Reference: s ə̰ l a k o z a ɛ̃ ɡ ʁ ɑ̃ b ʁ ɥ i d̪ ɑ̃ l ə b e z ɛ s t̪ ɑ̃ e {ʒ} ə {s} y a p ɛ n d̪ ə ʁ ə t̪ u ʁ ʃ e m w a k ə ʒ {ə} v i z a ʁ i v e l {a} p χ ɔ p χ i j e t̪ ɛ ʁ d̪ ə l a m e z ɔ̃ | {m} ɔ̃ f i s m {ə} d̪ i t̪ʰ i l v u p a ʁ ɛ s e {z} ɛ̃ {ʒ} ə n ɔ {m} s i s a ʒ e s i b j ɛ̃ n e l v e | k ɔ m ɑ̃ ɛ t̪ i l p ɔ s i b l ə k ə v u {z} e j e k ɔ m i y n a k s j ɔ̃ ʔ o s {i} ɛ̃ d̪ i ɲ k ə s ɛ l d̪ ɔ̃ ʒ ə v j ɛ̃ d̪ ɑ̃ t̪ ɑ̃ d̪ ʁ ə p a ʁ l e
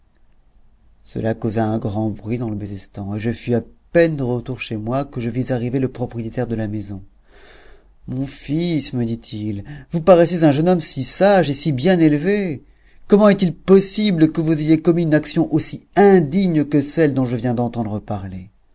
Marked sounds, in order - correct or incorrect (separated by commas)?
correct, incorrect, correct, incorrect, correct, correct, correct, correct, correct, correct, correct